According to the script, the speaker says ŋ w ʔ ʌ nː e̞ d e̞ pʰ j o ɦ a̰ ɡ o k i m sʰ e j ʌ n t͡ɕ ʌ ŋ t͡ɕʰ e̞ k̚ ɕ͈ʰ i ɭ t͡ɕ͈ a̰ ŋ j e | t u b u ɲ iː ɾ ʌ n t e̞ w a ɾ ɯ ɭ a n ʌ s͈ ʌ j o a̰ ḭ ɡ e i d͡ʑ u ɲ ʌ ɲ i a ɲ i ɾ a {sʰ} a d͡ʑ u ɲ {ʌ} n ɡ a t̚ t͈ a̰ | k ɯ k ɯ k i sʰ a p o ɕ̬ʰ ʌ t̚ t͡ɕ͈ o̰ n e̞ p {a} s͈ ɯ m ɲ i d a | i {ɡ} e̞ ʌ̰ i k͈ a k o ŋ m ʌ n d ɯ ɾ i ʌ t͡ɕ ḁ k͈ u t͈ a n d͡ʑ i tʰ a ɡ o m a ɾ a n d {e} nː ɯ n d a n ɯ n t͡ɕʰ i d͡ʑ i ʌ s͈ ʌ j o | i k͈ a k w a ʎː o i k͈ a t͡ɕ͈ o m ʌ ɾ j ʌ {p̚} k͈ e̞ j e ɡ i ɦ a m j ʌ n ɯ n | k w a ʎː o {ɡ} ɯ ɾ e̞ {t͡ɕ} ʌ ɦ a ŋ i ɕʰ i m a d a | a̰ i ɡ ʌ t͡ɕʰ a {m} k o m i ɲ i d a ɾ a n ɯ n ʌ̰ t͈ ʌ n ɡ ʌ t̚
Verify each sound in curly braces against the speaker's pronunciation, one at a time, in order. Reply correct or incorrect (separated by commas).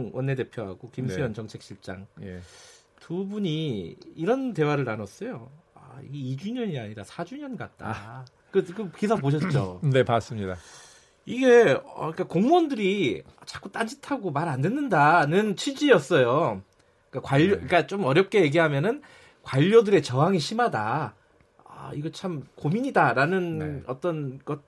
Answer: correct, correct, correct, correct, correct, correct, incorrect, correct, correct